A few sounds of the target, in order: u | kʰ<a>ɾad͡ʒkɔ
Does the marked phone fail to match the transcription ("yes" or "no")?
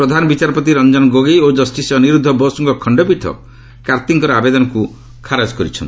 no